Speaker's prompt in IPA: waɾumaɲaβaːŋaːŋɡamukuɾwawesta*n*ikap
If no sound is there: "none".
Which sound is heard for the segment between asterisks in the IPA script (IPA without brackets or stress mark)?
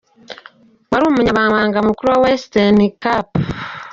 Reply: n